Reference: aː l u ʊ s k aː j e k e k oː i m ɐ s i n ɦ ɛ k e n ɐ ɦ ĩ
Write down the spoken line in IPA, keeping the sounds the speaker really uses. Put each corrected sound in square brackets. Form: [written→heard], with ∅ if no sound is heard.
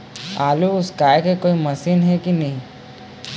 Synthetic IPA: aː l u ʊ s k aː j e k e k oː i m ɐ s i n ɦ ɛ k [e→i] n ɐ ɦ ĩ